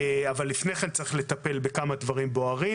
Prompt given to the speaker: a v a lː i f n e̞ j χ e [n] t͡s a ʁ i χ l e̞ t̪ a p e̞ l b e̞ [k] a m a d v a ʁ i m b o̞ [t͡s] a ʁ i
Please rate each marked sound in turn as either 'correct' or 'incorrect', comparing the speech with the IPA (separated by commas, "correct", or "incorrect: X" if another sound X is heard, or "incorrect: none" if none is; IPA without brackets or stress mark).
correct, correct, incorrect: none